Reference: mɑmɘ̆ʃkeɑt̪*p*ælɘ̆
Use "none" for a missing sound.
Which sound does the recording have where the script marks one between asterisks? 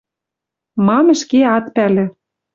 p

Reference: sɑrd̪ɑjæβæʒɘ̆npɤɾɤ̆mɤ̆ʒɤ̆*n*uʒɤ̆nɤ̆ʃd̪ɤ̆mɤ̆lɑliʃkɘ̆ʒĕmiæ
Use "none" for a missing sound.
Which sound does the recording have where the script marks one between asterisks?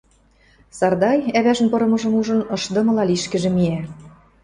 m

